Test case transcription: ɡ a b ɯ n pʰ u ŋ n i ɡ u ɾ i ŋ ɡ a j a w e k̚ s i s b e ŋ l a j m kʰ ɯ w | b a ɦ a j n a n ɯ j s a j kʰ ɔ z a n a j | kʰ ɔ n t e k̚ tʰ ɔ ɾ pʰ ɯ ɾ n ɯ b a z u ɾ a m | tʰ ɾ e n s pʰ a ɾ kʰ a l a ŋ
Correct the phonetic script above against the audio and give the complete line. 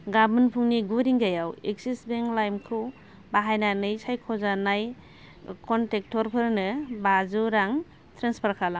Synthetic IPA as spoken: ɡ a b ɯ n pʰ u ŋ n i ɡ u ɾ i ŋ ɡ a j a w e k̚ s i s b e ŋ l a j m kʰ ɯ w | b a ɦ a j n a n ɯ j s a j kʰ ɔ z a n a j | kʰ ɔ n t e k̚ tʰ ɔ ɾ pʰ ɯ ɾ n ɯ b a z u ɾ a ŋ | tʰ ɾ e n s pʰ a ɾ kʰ a l a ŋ

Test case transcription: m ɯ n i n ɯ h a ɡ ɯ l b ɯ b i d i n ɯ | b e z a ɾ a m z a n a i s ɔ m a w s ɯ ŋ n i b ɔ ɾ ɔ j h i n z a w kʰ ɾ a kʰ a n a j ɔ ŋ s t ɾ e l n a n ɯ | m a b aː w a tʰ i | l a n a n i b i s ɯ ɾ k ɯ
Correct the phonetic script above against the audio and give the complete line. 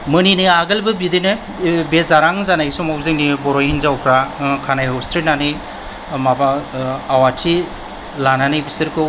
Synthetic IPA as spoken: m ɯ n i n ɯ a ɡ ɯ l b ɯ b i d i n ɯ | b e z a ɾ a ŋ z a n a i s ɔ m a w z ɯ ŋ n i b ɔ ɾ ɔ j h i n z a w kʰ ɾ a kʰ a n a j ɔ s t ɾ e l n a n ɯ | m a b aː w a tʰ i | l a n a n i b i s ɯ ɾ k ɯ

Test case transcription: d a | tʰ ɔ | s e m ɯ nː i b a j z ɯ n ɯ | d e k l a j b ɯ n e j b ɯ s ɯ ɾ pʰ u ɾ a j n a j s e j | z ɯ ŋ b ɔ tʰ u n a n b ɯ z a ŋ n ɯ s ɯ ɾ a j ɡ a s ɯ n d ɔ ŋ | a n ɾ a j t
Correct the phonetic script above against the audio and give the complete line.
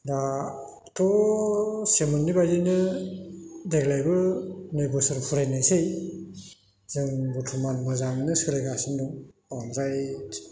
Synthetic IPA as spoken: d a | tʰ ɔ | s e m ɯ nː i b a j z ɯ n ɯ | d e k l a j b ɯ n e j b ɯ s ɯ ɾ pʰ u ɾ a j n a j s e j | z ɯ ŋ b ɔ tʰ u m a n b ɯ z a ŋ n ɯ s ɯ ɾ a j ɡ a s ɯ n d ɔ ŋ | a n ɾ a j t

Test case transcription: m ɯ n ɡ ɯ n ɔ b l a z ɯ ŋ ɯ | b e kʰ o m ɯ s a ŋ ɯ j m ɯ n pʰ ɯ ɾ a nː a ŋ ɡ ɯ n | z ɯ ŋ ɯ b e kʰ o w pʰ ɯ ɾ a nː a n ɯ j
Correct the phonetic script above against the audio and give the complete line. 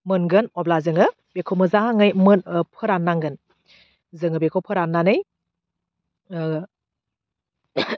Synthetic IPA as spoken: m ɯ n ɡ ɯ n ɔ b l a z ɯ ŋ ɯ | b e kʰ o m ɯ z a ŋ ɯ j m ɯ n pʰ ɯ ɾ a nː a ŋ ɡ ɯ n | z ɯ ŋ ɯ b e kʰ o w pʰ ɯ ɾ a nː a n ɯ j

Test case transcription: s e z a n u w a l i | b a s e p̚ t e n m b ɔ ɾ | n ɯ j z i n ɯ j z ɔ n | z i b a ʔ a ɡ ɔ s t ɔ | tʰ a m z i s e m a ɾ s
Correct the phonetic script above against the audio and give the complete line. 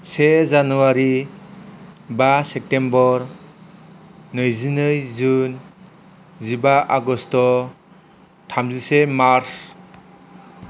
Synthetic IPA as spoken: s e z a n u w a ɾ i | b a s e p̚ t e m b ɔ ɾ | n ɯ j z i n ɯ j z u n | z i b a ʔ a ɡ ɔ s t ɔ | tʰ a m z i s e m a ɾ s

